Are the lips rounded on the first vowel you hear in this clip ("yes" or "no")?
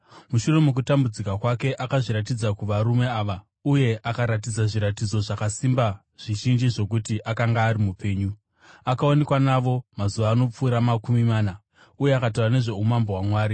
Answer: yes